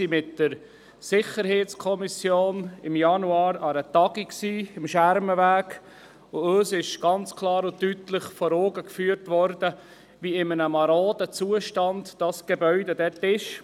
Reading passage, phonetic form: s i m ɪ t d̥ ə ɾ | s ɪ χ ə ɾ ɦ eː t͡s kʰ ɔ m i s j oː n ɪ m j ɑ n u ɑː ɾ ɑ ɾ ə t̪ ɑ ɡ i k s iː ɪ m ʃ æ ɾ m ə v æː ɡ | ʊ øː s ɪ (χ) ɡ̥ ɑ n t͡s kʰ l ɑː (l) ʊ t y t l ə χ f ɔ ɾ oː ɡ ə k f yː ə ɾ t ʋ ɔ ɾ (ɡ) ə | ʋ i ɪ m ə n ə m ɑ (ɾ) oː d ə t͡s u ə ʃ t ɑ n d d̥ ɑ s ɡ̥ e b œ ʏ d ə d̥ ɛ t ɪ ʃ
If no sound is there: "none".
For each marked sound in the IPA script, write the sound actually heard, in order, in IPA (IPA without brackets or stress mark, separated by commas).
ʃ, ɾ, d, ɾ